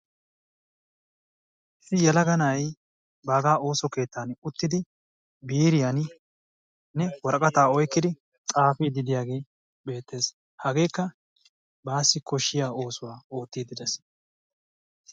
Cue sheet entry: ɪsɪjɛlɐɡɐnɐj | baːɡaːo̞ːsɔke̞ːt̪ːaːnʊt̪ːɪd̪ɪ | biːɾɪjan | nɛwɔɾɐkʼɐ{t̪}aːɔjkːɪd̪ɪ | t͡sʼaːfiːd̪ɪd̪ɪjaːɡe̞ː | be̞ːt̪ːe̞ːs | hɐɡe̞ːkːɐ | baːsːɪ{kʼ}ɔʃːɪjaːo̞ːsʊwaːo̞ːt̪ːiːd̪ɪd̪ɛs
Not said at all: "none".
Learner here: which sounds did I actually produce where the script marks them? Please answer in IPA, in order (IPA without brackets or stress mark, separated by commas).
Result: t̪, k